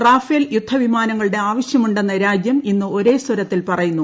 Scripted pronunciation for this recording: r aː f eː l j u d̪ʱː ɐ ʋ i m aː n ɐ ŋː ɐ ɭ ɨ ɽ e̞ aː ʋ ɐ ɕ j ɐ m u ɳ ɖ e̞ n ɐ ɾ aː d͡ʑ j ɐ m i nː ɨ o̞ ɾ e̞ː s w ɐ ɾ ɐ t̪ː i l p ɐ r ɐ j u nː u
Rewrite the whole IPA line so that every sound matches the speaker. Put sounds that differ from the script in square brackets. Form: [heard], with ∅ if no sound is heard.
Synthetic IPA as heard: r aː f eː l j u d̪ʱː ɐ ʋ i m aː n ɐ ŋː ɐ ɭ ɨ ɽ e̞ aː ʋ ɐ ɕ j ɐ m u ɳ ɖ e̞ [nː] ɐ ɾ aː d͡ʑ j ɐ m i nː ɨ o̞ ɾ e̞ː s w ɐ ɾ ɐ t̪ː i l p ɐ r ɐ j u nː u